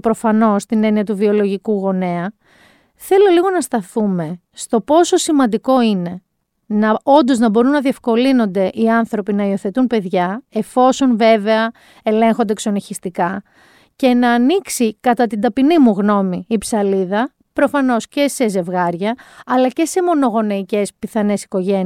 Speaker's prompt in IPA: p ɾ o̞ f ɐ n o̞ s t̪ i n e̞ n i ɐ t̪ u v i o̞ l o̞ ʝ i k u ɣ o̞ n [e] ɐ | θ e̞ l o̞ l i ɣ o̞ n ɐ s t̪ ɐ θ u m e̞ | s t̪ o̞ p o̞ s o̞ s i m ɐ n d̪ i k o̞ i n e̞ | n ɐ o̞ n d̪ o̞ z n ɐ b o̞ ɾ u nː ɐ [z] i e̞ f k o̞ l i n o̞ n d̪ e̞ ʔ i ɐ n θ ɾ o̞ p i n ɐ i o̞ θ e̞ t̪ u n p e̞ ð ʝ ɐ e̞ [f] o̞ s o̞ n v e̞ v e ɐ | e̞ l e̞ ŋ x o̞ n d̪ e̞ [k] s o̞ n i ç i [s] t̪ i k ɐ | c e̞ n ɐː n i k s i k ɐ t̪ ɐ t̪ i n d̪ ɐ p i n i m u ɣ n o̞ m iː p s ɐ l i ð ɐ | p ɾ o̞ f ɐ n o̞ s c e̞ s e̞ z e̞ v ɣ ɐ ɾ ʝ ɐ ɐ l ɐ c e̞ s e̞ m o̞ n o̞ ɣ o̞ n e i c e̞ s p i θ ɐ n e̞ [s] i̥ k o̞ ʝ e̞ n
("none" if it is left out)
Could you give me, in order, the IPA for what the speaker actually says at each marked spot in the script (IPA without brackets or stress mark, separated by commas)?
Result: e, ð, f, k, s, s